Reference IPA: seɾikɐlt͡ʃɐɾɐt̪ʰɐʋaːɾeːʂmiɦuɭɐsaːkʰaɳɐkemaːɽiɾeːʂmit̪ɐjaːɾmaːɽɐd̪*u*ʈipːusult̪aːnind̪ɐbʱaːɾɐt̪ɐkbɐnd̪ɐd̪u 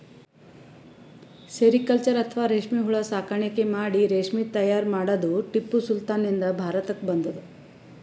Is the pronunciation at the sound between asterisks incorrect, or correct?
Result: correct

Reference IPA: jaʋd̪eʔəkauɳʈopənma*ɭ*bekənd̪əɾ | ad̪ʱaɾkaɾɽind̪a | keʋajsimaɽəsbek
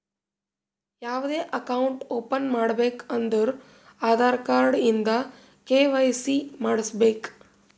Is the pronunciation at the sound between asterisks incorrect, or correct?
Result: incorrect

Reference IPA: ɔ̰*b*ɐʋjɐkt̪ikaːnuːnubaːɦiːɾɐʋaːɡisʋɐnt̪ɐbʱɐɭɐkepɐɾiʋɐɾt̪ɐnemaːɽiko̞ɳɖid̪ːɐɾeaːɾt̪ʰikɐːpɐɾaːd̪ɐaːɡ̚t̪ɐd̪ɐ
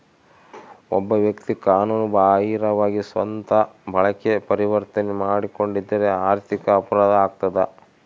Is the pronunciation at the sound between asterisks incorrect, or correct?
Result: incorrect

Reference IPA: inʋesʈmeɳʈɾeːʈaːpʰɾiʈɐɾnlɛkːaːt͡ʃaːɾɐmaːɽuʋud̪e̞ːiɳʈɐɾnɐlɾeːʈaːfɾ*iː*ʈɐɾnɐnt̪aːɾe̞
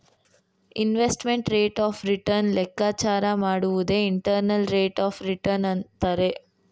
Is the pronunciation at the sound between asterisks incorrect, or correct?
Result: incorrect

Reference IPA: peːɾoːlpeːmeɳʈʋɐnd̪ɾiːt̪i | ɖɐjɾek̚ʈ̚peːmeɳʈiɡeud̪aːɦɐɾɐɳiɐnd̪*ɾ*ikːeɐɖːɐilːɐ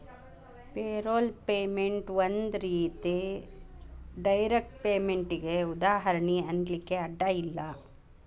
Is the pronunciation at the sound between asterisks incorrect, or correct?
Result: incorrect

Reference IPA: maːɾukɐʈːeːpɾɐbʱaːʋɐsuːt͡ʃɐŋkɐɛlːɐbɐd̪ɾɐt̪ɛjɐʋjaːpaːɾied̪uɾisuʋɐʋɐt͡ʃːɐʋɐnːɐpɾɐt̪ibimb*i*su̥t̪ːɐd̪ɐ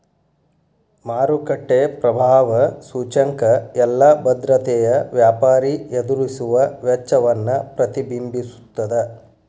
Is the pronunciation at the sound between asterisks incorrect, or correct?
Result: correct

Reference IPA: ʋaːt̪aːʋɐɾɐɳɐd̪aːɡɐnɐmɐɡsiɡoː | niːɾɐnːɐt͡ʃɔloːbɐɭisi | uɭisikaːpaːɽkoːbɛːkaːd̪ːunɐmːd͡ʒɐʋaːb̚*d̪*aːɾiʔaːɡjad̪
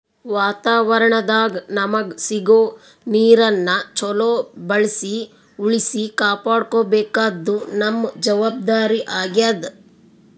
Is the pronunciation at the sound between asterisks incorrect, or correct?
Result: correct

